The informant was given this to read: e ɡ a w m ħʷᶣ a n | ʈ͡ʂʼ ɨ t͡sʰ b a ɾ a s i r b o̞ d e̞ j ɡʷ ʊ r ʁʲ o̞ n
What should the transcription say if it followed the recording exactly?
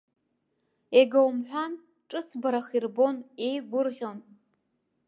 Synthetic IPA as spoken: e ɡ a w m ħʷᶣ a n | ʈ͡ʂʼ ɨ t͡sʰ b a ɾ a χ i r b o̞ n e̞ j ɡʷ ʊ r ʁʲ o̞ n